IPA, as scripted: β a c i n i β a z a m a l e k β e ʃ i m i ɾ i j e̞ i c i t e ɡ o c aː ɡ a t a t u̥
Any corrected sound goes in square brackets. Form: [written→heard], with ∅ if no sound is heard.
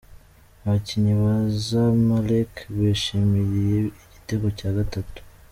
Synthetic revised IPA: β a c i [n→ɲ] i β a z a m a l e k β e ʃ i m i ɾ i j e̞ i [c→ɟ] i t e ɡ o c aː ɡ a t a t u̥